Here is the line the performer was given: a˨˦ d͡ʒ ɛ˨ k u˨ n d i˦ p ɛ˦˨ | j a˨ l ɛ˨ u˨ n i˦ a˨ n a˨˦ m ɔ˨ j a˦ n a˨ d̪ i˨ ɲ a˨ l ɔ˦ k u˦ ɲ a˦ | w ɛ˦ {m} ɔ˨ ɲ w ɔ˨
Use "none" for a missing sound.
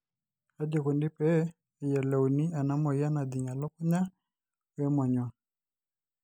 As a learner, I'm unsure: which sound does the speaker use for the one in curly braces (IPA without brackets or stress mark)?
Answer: m